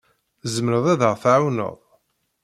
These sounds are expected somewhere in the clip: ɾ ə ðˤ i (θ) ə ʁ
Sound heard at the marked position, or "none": ð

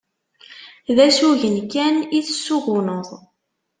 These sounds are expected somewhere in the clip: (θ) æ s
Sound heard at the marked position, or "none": ð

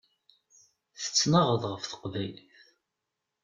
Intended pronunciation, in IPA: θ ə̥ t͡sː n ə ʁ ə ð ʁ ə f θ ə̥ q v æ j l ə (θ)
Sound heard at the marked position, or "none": θ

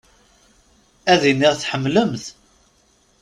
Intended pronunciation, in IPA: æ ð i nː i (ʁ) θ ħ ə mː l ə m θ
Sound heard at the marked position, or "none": ʁ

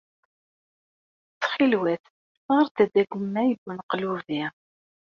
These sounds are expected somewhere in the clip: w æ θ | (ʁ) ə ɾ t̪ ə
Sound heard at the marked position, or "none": ʁ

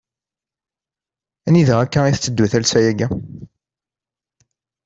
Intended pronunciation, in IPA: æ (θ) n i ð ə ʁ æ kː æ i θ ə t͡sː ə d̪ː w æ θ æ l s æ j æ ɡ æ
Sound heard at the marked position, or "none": none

